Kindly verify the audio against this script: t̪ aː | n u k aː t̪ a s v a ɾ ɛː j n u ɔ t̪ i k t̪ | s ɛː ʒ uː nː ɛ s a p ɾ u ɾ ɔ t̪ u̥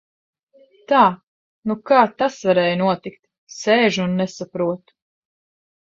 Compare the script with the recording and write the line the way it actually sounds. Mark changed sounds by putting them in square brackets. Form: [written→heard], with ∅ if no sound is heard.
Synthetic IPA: t̪ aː | n u k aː t̪ a s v a ɾ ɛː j n u ɔ t̪ i k t̪ | s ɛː ʒ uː nː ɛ s a p ɾ u [ɾ→∅] ɔ t̪ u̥